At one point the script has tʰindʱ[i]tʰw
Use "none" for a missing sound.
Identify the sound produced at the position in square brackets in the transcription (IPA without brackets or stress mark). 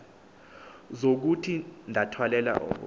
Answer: a